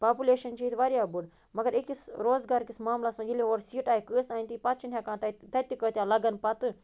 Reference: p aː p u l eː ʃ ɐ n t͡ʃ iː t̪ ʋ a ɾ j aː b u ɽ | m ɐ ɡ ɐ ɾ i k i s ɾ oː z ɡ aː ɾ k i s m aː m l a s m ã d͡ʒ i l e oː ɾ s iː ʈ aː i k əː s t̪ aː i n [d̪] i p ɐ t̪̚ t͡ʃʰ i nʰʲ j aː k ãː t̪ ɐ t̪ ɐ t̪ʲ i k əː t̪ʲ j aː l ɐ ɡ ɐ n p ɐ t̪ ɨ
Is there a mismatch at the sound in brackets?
yes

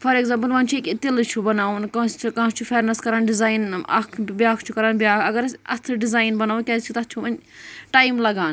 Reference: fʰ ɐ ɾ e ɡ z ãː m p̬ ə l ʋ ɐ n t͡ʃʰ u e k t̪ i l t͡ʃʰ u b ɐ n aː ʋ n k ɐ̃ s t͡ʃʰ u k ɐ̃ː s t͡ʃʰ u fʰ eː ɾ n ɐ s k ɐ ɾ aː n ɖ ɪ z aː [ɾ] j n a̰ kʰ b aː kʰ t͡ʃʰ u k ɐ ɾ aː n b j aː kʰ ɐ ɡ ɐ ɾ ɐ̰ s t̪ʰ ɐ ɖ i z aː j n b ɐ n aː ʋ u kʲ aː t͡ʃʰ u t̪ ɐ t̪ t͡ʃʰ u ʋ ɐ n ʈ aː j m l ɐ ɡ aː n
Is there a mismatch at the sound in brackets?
yes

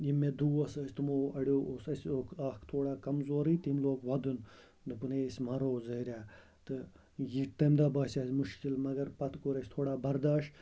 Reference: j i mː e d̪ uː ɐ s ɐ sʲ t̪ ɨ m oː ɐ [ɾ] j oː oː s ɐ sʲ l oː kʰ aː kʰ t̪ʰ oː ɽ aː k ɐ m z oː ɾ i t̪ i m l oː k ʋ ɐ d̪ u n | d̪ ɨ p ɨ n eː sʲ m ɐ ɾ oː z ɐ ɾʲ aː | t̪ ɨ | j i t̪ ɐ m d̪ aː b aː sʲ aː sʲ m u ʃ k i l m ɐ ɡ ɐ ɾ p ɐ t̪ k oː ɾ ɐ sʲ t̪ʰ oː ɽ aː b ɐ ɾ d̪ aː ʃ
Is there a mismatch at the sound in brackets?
yes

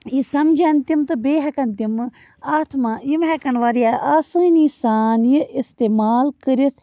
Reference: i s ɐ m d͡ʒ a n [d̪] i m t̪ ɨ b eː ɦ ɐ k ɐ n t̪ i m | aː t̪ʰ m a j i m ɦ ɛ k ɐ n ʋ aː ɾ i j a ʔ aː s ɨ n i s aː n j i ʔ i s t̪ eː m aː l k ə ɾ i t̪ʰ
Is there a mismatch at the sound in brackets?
yes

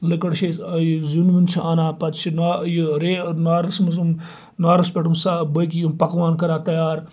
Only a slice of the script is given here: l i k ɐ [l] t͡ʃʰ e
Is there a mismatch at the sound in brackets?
yes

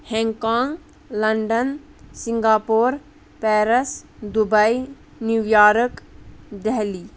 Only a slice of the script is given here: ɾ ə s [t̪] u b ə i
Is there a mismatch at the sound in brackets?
yes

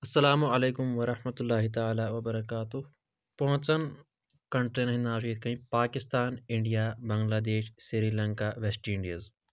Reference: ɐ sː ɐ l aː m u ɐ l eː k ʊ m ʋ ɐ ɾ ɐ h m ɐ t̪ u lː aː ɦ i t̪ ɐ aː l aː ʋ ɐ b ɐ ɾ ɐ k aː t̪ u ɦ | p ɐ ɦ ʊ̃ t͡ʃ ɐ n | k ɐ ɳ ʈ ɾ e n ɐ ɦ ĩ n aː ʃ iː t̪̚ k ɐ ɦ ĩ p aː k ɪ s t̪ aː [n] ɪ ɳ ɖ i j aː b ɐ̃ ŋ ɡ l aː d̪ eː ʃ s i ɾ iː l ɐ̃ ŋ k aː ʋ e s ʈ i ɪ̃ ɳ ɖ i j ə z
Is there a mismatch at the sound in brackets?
no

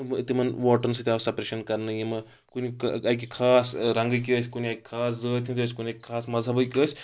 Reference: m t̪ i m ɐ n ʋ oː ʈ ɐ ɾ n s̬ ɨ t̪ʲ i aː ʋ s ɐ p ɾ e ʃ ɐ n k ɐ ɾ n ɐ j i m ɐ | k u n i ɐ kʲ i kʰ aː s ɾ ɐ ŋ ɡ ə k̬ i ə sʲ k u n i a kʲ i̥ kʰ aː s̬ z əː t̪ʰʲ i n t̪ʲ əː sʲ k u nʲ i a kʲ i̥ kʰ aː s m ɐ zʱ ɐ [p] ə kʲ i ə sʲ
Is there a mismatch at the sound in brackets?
yes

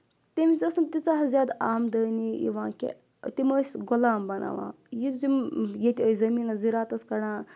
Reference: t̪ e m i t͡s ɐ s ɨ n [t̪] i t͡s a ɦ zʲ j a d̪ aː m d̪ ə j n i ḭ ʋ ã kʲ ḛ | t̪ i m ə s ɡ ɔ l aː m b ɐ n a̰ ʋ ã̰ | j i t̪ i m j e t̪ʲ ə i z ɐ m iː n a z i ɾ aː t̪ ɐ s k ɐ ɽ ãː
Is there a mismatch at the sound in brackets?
no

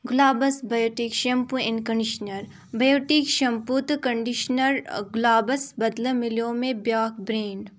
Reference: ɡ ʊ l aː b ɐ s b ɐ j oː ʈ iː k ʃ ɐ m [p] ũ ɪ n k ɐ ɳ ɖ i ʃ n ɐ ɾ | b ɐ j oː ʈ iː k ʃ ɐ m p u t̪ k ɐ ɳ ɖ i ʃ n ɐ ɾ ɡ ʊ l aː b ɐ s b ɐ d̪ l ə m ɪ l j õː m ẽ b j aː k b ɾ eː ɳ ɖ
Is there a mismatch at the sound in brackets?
no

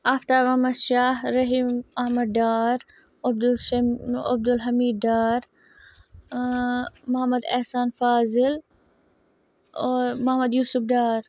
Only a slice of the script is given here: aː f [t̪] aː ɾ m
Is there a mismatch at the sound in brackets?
no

